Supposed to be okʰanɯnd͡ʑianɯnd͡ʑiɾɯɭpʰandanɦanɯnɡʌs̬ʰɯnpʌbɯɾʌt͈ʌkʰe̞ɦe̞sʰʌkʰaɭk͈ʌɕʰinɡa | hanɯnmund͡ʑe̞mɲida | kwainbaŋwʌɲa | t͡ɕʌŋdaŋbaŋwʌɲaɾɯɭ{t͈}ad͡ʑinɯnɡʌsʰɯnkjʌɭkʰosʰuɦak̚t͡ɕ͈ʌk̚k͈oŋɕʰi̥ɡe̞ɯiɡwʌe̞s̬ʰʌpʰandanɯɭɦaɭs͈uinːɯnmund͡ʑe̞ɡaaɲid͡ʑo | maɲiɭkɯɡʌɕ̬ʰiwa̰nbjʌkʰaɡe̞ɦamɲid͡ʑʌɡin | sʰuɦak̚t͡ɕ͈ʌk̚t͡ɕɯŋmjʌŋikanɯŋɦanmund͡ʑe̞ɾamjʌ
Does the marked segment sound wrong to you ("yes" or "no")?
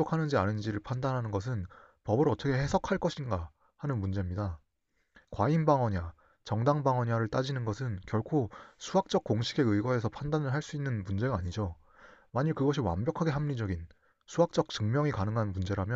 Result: no